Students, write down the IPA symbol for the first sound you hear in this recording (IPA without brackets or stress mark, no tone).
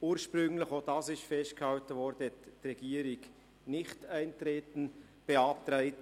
uː